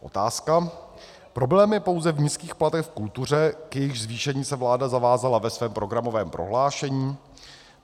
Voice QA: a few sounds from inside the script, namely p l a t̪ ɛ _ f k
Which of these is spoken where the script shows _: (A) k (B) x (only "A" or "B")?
B